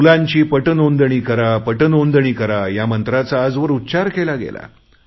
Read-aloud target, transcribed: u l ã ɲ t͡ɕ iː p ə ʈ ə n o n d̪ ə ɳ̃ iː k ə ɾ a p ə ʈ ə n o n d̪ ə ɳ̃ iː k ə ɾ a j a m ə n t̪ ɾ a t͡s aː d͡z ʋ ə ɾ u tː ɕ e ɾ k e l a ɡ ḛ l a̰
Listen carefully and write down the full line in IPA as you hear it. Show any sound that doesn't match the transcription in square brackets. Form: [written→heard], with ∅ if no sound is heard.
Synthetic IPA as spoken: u l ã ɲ t͡ɕ iː p ə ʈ ə n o n d̪ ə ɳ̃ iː k ə ɾ a p ə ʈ ə n o n d̪ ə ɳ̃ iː k ə ɾ a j a m ə n t̪ ɾ a t͡s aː d͡z ʋ ə ɾ u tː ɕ [e→a] ɾ k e l a ɡ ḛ l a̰